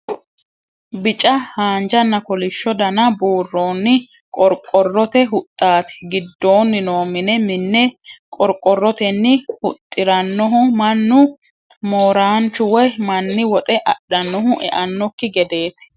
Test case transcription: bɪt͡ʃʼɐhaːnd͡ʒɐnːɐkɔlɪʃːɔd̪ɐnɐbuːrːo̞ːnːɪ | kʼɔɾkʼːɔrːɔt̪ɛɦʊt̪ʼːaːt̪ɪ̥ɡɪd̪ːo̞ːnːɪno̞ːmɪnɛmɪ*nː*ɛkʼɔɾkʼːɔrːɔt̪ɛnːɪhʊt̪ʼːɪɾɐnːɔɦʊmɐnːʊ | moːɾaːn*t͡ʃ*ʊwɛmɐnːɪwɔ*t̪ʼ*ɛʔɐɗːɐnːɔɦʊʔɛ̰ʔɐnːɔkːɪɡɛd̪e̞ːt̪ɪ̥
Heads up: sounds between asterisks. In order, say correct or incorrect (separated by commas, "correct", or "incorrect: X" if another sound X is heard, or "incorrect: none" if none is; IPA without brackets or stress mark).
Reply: correct, correct, correct